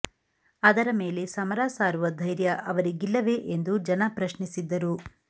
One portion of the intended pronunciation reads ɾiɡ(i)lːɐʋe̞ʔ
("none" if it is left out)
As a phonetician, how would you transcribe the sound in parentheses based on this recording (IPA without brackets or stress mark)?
i